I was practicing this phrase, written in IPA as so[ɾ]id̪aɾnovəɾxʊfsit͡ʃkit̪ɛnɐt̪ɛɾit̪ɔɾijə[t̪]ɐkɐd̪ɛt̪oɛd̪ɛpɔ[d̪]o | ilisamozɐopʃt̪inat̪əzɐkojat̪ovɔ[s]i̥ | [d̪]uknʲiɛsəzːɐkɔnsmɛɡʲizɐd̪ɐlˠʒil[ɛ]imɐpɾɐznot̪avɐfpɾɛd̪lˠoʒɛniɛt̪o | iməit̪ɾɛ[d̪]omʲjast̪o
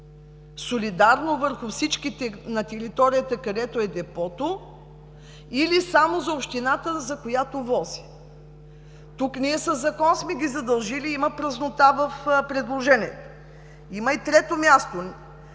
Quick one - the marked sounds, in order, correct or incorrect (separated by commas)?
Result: incorrect, correct, incorrect, incorrect, incorrect, incorrect, incorrect